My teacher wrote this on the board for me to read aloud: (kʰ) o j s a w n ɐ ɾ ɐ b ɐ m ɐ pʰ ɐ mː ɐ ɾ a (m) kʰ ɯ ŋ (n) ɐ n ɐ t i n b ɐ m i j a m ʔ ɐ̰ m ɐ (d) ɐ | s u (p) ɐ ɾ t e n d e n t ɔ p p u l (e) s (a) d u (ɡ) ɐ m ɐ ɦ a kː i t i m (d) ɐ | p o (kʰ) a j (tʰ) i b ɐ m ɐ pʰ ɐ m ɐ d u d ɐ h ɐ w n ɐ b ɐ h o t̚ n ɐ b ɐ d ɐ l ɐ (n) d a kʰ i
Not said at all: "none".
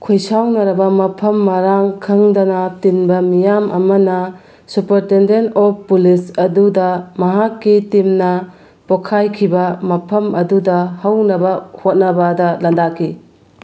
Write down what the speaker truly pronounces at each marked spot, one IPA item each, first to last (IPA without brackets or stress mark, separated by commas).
kʰ, ŋ, d, n, p, i, ɐ, d, n, kʰ, kʰ, n